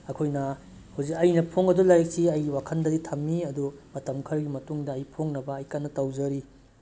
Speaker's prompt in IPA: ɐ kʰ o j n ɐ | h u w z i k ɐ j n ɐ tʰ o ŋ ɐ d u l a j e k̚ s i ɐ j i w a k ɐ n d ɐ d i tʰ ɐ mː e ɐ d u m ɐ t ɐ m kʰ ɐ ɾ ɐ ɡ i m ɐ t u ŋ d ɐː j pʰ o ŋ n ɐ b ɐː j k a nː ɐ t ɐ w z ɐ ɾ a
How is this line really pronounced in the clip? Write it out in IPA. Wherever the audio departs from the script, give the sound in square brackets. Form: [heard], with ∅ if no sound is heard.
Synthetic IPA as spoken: ɐ kʰ o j n ɐ | h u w z i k ɐ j n ɐ [pʰ] o ŋ ɐ d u l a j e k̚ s i ɐ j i w a [kʰ] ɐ n d ɐ d i tʰ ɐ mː [i] ɐ d u m ɐ t ɐ m kʰ ɐ ɾ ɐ ɡ i m ɐ t u ŋ d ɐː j pʰ o ŋ n ɐ b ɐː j k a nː ɐ t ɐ w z ɐ ɾ [i]